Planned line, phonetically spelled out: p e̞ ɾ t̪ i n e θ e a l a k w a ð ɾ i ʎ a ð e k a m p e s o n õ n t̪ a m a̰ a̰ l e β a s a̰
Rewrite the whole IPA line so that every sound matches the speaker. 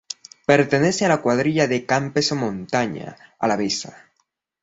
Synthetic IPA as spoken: p e̞ ɾ t̪ e n e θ e a l a k w a ð ɾ i ʎ a ð e k a m p e s o m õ n t̪ a ɲ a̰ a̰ l a β e s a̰